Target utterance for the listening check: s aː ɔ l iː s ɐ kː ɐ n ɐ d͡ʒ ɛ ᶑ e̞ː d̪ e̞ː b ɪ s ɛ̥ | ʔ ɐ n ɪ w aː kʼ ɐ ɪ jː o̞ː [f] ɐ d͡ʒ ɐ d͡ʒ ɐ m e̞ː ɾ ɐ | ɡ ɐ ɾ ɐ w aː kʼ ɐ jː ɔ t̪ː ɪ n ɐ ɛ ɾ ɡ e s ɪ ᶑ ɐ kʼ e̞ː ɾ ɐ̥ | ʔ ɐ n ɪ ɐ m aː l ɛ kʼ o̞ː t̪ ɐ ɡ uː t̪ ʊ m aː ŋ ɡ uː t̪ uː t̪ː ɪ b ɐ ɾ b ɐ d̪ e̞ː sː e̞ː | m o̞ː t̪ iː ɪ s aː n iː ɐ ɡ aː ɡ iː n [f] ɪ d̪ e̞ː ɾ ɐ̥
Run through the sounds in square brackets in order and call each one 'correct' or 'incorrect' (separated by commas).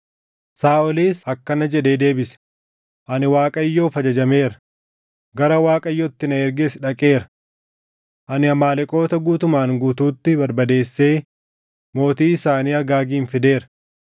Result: correct, correct